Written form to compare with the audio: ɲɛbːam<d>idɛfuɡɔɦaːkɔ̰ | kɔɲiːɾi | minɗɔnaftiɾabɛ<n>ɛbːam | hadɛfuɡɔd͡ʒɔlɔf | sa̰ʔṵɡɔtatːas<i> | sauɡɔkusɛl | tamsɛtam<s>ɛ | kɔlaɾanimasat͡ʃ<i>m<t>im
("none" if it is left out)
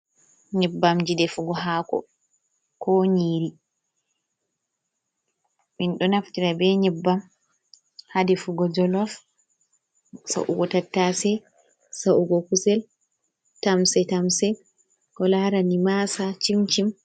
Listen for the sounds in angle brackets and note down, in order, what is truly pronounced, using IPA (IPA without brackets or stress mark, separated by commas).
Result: d͡ʒ, ɲ, ɛ, s, i, t͡ʃ